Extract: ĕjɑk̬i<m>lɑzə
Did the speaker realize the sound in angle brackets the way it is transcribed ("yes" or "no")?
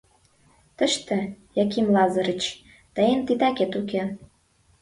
yes